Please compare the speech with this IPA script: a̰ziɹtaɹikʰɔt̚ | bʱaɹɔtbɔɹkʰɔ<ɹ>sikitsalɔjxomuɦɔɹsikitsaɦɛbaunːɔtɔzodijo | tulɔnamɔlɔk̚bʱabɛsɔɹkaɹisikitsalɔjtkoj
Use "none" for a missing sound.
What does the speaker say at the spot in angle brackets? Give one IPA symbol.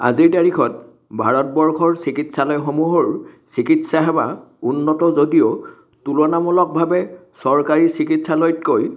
ɹ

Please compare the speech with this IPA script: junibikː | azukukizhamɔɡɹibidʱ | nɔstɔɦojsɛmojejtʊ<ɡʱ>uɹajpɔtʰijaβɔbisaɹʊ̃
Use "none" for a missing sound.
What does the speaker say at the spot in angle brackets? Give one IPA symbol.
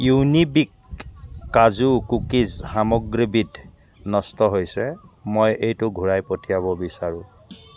ɡʱ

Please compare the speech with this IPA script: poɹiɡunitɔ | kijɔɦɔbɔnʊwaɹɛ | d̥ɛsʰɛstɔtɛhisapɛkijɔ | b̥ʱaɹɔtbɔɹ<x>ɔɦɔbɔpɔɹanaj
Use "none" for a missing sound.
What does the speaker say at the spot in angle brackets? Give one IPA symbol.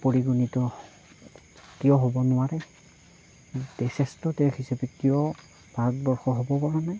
x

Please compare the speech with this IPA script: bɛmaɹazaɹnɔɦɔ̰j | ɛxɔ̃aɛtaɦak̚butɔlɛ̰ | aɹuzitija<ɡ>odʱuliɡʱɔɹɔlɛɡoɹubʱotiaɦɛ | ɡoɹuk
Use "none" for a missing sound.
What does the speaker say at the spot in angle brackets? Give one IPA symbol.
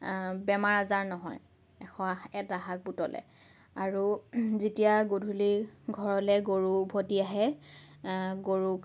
ɡ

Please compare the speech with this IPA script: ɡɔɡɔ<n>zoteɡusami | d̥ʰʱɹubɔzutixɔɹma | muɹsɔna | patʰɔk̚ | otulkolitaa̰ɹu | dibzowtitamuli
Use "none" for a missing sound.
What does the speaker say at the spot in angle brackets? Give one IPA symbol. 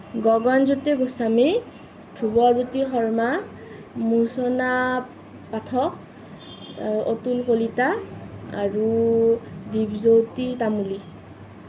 n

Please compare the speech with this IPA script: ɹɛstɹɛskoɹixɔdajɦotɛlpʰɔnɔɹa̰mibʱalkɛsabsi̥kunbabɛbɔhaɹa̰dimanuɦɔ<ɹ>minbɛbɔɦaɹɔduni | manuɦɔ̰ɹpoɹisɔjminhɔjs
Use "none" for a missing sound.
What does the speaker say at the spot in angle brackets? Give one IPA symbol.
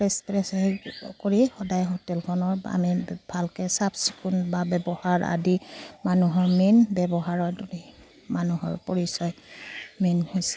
ɹ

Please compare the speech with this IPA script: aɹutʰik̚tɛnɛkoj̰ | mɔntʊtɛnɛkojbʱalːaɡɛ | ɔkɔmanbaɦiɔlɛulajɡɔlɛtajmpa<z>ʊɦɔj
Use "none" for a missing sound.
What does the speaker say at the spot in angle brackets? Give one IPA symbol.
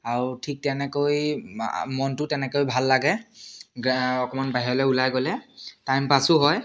s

